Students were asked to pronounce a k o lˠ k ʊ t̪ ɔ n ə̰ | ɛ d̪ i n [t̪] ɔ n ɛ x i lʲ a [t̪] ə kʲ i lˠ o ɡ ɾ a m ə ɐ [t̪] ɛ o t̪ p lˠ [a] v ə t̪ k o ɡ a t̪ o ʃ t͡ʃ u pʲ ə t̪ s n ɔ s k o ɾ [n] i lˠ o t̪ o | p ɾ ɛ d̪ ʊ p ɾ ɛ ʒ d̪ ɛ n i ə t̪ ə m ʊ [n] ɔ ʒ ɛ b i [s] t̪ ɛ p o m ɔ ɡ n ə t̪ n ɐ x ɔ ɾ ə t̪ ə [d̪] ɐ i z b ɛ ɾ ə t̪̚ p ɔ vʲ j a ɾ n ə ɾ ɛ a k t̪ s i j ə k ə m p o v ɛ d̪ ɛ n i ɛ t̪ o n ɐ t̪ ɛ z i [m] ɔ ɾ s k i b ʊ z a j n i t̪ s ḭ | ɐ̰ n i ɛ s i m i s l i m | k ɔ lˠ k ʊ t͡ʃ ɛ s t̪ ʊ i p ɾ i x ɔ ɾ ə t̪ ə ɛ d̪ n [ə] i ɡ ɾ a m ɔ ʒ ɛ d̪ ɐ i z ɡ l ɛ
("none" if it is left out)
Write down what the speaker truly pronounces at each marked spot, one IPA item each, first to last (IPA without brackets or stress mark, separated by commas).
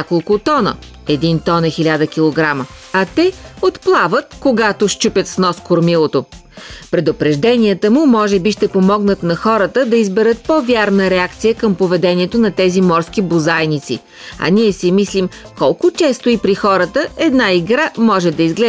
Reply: t̪, d̪, t̪, a, m, m, ʃ, d̪, m, a